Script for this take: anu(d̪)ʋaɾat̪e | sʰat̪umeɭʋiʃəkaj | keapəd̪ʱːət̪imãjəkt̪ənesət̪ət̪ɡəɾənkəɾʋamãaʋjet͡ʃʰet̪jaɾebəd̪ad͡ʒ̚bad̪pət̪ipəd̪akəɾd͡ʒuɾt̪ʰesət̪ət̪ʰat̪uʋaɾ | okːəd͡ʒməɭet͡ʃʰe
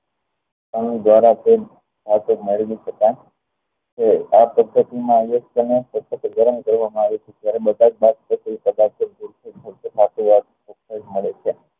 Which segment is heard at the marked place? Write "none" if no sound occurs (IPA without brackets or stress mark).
d̪